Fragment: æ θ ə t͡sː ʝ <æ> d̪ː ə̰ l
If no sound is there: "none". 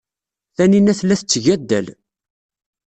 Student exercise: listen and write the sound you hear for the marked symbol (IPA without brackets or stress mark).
æ